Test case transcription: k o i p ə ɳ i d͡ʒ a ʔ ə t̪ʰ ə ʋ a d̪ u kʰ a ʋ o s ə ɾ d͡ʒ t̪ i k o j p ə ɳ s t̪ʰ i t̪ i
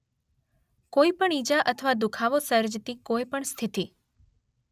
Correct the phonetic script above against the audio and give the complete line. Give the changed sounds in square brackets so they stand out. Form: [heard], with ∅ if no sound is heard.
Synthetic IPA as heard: k o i p ə ɳ i d͡ʒ a ʔ ə t̪ʰ ə ʋ a d̪ u kʰ a ʋ o s ə ɾ d͡ʒ t̪ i k o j p ə ɳ s t̪ʰ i t̪ i